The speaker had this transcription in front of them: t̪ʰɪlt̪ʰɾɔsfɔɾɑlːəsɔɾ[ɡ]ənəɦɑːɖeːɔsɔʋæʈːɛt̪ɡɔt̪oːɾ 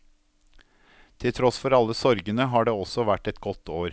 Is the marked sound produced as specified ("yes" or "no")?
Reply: yes